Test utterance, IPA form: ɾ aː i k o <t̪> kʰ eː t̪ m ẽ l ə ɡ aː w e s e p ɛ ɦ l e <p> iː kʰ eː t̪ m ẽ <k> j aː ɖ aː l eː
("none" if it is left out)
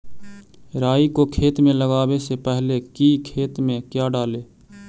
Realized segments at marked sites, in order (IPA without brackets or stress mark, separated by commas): none, k, k